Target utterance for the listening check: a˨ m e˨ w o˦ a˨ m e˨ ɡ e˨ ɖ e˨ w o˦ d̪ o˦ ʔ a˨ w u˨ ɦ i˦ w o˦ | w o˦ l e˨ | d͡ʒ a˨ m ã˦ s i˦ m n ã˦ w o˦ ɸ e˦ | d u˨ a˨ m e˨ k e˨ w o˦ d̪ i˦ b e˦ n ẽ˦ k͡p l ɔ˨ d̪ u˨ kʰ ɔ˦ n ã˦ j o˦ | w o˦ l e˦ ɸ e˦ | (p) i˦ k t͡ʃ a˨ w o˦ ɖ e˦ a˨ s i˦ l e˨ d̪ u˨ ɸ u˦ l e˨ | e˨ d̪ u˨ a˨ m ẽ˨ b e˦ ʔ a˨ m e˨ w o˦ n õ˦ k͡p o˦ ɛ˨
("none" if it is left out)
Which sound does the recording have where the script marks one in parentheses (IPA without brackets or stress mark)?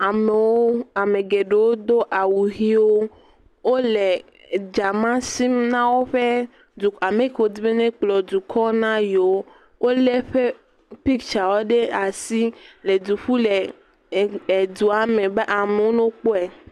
p